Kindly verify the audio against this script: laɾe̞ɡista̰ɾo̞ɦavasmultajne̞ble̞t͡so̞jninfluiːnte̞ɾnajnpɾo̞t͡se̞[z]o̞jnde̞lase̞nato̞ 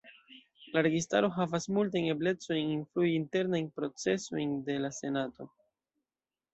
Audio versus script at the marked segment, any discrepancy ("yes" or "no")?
yes